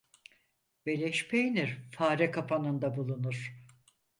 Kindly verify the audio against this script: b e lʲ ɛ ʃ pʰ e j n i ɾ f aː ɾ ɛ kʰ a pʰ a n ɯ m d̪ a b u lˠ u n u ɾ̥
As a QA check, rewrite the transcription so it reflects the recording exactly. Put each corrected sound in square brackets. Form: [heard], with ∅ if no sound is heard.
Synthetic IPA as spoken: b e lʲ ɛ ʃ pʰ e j n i ɾ f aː ɾ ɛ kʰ a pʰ a n ɯ [n] d̪ a b u lˠ u n u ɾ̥